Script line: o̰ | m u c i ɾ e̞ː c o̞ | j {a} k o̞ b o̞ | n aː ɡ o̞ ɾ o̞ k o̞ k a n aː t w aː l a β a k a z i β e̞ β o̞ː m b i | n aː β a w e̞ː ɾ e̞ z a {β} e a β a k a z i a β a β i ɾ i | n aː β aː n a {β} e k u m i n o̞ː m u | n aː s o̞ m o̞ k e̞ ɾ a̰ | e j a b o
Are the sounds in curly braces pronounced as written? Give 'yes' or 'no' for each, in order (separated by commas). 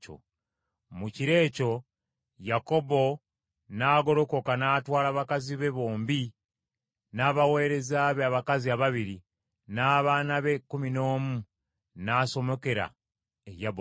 yes, yes, yes